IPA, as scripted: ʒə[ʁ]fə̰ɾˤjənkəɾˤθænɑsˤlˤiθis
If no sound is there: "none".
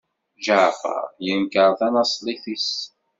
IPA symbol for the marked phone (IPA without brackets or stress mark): ʕ